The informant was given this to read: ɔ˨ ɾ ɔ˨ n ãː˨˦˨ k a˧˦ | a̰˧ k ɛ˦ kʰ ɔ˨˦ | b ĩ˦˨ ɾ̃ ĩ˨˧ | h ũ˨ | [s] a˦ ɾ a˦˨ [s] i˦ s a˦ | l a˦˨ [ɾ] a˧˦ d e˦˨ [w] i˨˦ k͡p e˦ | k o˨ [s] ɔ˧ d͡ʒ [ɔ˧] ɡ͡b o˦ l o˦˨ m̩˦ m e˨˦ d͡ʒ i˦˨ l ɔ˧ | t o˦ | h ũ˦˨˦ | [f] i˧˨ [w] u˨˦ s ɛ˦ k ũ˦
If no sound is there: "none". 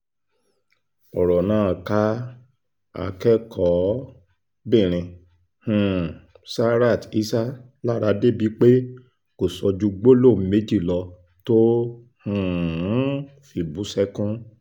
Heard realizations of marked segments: s, t, ɾ, b, s, u˧, f, b

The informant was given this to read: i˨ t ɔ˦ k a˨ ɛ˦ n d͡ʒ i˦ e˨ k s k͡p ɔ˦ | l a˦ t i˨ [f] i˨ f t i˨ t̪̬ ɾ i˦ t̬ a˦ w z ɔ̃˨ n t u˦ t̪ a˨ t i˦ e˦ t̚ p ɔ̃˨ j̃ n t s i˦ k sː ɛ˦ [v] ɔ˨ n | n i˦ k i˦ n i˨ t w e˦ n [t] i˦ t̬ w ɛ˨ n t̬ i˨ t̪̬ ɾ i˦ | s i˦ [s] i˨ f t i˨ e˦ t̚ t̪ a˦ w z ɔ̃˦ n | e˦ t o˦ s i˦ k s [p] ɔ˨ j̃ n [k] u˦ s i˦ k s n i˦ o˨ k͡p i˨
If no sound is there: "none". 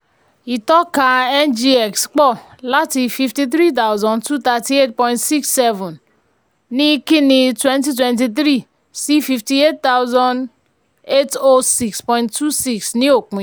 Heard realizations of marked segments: f, v, t, f, p, t

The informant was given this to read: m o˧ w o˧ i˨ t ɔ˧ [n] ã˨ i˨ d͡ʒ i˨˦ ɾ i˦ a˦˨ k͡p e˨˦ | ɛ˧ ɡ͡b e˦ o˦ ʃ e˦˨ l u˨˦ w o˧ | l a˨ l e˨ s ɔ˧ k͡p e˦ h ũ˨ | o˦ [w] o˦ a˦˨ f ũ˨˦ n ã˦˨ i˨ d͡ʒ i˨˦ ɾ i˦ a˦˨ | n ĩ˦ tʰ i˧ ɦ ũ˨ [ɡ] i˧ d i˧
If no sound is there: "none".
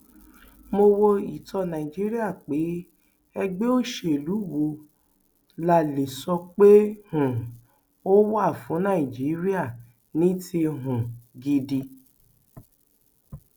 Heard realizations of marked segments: n, w, ɡ

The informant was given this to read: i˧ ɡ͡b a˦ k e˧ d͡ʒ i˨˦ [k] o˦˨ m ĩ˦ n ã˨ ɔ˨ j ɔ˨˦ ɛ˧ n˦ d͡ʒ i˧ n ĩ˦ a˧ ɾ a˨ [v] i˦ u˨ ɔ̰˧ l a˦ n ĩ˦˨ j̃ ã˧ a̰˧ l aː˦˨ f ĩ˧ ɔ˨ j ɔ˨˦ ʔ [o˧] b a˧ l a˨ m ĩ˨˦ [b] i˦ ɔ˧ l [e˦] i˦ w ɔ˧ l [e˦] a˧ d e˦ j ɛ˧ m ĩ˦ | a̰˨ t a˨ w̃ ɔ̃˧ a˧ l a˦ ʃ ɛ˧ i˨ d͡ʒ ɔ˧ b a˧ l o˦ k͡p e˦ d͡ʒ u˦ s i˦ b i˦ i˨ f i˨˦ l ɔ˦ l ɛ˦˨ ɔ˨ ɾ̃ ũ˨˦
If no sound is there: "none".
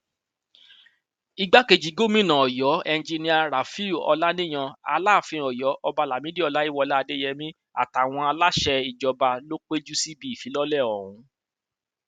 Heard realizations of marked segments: ɡ, f, ɔ˧, d, a˦, a˦

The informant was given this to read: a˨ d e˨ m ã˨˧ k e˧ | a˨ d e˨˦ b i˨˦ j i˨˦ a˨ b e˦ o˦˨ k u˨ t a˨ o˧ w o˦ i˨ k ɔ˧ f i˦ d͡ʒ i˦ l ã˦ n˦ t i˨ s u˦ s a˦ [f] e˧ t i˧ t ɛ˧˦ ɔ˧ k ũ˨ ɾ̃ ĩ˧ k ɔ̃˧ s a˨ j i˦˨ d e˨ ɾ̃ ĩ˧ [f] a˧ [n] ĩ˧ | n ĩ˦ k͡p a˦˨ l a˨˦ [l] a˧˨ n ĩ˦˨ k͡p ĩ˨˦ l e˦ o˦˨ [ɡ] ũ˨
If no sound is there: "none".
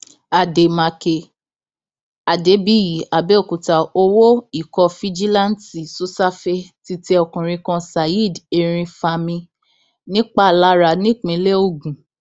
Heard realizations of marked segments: f, f, m, ɾ, ɡ

